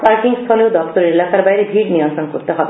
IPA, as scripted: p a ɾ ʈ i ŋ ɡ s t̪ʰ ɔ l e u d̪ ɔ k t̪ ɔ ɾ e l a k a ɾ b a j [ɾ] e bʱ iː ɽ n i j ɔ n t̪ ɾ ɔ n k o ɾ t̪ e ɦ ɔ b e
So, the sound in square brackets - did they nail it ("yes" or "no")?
yes